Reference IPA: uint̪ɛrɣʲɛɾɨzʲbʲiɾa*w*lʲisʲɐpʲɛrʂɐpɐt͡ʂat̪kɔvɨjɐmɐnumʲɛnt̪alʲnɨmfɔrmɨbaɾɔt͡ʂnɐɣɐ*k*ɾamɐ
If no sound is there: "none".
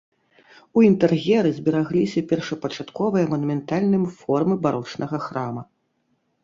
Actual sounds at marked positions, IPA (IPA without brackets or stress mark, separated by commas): ɣ, x